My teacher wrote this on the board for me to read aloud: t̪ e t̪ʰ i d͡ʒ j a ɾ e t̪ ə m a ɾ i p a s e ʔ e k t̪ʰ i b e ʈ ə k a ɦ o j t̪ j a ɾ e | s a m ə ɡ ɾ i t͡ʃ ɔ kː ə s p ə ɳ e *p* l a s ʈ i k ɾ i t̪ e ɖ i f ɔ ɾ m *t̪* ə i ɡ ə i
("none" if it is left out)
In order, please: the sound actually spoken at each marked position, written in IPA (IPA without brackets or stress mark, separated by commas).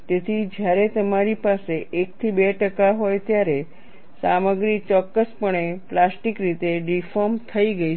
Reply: p, t̪ʰ